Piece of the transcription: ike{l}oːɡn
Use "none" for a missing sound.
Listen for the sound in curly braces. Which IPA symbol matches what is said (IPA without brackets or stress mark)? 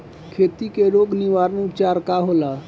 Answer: ɾ